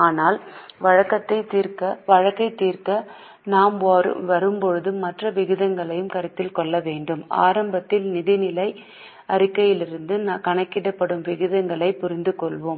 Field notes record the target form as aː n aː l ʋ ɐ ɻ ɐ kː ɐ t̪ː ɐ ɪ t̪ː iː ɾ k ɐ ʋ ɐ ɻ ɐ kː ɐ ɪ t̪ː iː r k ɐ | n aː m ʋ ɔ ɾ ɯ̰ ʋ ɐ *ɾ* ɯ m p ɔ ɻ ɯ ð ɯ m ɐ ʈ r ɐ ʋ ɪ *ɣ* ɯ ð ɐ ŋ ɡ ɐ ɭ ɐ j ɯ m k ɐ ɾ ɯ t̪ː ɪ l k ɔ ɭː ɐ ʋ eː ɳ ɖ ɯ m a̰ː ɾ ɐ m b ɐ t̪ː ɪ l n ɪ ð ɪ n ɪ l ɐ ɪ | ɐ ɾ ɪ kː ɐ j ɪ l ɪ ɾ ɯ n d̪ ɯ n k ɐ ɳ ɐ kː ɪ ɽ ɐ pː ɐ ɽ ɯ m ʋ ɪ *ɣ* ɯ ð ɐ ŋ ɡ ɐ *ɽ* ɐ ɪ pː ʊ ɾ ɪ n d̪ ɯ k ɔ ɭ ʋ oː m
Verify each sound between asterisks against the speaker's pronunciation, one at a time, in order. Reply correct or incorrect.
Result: correct, correct, correct, incorrect

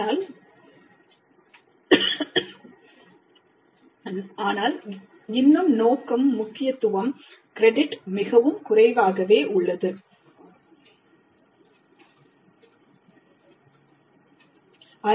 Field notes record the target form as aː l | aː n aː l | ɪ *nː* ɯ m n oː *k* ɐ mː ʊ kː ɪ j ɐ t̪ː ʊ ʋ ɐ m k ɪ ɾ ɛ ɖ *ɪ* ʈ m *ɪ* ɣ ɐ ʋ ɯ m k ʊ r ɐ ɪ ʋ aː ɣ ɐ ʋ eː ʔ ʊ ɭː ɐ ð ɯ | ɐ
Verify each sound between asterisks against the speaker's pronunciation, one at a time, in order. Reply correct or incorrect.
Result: correct, correct, correct, correct

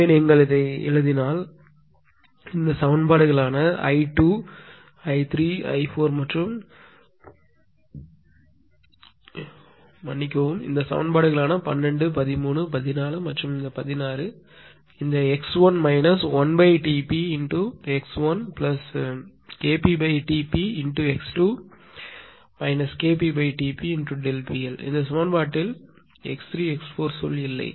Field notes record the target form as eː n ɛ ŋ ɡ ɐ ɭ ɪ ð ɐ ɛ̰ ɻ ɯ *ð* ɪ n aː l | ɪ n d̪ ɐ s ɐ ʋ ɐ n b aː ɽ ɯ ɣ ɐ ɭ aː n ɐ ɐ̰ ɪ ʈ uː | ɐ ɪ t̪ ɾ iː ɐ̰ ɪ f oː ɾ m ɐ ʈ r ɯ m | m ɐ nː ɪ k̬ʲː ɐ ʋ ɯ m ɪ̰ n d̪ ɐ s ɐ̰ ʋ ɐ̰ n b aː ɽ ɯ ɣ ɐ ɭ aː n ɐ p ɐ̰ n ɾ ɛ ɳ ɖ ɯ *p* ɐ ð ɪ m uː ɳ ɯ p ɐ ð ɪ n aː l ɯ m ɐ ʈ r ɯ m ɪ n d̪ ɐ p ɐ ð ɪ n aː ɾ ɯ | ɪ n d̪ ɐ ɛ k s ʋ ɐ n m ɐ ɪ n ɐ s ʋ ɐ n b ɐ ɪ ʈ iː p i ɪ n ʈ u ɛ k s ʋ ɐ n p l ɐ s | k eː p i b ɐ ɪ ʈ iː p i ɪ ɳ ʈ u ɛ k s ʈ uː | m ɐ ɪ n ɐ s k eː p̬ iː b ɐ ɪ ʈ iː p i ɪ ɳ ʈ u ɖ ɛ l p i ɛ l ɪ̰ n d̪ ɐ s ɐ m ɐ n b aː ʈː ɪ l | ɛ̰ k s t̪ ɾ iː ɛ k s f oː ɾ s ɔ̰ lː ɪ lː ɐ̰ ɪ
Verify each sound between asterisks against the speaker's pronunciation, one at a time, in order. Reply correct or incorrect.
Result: correct, correct

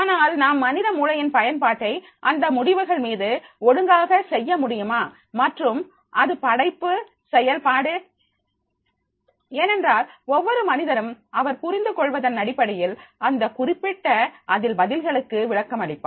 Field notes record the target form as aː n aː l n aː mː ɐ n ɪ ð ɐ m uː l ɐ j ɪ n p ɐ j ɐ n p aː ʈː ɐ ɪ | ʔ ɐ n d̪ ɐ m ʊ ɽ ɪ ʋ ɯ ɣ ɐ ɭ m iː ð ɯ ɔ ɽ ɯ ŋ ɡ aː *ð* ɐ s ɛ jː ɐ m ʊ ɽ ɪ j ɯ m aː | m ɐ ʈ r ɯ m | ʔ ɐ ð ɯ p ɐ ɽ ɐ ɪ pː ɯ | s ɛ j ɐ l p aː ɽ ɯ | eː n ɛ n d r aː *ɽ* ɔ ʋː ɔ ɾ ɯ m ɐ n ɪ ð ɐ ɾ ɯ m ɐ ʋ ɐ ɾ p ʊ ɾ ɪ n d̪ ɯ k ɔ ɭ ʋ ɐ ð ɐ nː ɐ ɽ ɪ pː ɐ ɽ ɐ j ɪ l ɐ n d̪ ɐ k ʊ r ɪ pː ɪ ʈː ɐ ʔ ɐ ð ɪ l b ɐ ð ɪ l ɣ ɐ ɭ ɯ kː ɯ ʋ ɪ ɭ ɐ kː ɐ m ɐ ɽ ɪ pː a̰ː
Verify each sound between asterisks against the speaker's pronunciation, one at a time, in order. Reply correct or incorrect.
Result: incorrect, incorrect

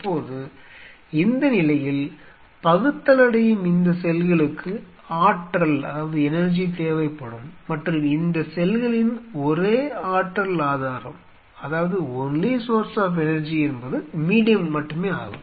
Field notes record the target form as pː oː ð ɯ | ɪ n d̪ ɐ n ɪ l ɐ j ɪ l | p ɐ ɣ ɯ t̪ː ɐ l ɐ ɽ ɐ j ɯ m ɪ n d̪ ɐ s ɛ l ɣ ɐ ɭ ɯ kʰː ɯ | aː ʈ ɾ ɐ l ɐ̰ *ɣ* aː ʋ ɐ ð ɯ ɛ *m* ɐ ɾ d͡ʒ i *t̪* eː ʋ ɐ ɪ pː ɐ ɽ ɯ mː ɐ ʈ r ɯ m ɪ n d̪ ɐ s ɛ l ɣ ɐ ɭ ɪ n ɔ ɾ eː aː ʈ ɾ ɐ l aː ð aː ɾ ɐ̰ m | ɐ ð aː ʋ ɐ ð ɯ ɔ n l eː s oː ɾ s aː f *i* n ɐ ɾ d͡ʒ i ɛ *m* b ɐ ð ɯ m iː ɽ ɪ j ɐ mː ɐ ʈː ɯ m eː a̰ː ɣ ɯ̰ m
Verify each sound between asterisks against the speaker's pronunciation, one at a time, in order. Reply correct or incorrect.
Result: incorrect, incorrect, correct, incorrect, incorrect

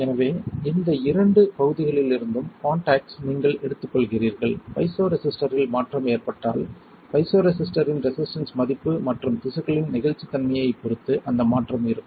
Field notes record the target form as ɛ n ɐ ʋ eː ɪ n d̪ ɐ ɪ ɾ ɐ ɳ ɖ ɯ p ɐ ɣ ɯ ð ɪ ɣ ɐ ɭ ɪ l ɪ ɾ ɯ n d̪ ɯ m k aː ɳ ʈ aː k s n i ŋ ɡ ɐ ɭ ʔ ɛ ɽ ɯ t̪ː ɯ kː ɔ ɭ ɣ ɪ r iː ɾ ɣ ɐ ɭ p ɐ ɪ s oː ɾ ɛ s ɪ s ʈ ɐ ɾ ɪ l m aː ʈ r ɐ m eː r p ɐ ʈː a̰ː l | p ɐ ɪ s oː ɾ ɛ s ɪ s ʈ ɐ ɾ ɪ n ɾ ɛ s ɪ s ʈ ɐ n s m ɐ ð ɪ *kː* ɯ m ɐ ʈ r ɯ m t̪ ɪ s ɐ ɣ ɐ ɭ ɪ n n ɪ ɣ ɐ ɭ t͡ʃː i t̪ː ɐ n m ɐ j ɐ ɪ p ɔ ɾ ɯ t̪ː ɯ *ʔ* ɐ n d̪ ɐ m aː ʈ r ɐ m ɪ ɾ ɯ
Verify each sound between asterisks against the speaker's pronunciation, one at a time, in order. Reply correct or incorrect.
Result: incorrect, correct

